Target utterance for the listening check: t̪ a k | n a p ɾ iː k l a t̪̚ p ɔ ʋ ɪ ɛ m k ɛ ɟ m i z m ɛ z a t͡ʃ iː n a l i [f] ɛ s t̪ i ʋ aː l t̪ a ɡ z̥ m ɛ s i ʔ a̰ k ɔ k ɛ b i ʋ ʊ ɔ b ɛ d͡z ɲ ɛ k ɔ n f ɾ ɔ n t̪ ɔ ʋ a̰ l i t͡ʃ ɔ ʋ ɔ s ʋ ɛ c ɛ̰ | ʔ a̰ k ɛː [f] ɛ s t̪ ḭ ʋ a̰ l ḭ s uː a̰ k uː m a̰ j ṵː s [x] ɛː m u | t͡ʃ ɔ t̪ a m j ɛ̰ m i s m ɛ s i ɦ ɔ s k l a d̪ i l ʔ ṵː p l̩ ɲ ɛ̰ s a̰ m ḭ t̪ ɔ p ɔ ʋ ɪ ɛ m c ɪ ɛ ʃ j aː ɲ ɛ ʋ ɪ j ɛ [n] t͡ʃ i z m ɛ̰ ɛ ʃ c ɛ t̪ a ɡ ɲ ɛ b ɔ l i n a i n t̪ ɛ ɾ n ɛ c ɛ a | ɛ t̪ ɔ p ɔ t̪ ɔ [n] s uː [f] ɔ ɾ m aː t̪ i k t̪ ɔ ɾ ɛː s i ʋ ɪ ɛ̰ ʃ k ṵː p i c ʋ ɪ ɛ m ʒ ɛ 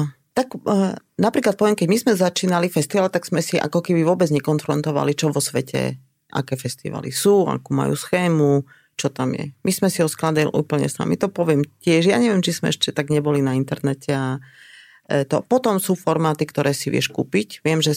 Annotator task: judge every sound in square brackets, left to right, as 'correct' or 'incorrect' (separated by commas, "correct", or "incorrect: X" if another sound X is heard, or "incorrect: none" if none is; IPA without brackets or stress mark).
correct, correct, correct, incorrect: m, incorrect: m, correct